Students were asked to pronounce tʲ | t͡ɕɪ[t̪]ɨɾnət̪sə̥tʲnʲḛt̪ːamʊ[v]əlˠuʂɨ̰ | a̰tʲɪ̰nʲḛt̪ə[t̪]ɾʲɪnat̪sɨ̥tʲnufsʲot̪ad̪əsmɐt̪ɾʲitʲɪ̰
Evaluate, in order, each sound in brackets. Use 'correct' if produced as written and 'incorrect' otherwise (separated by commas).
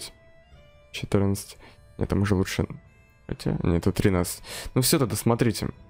correct, incorrect, correct